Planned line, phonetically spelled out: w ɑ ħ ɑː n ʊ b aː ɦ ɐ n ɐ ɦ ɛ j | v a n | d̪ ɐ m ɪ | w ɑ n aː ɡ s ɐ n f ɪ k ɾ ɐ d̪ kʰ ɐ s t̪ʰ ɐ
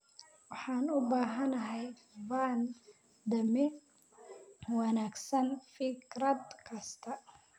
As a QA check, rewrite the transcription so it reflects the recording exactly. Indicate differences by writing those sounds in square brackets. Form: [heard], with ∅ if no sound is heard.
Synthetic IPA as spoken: w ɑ ħ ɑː n ʊ b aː ɦ ɐ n ɐ ɦ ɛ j | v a n | d̪ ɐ m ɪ | w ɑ n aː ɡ s ɐ n f ɪ k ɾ ɐ d̪ kʰ ɐ s t̪ʰ ɐ